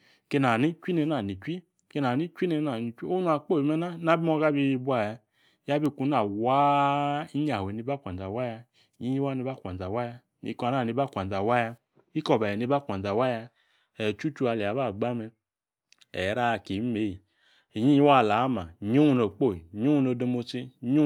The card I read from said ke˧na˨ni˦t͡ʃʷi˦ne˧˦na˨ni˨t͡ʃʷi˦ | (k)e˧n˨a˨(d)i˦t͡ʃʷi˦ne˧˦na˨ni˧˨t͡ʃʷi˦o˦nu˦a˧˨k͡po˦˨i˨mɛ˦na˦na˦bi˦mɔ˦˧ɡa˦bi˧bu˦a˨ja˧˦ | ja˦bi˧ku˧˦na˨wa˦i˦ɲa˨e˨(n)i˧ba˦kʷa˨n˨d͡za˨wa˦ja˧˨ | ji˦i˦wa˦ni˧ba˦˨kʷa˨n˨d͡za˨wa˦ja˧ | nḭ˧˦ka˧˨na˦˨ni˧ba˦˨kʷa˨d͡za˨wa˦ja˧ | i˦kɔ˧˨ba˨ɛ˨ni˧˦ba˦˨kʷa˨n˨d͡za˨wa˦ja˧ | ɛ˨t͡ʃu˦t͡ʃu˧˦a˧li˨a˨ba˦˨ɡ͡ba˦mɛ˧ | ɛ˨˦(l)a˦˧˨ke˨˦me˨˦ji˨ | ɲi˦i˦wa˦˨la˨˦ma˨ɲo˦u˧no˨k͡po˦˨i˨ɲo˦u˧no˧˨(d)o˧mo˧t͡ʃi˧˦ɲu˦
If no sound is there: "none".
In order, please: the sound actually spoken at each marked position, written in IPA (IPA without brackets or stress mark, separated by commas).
k, n, n, ɾ, d